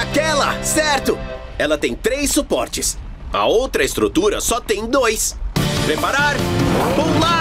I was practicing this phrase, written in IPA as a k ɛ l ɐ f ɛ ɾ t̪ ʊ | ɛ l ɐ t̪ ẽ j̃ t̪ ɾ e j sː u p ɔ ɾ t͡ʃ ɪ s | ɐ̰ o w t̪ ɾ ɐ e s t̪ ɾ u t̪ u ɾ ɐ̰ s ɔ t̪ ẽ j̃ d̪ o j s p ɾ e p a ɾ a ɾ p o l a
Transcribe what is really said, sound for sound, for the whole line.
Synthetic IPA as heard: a k ɛ l ɐ s ɛ ɾ t̪ ʊ | ɛ l ɐ t̪ ẽ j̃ t̪ ɾ e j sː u p ɔ ɾ t͡ʃ ɪ s | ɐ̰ o w t̪ ɾ ɐ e s t̪ ɾ u t̪ u ɾ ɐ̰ s ɔ t̪ ẽ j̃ d̪ o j s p ɾ e p a ɾ a ɾ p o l a